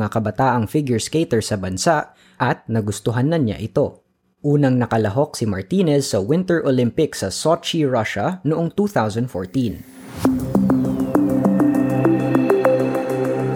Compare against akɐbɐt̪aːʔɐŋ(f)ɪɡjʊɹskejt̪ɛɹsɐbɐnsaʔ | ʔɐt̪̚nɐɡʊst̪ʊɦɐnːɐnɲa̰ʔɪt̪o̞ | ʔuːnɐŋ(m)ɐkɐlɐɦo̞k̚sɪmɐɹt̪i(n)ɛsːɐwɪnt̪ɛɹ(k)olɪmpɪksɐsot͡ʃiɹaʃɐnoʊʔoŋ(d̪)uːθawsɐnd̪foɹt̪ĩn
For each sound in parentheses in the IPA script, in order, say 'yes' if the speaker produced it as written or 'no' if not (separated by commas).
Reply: yes, no, yes, no, no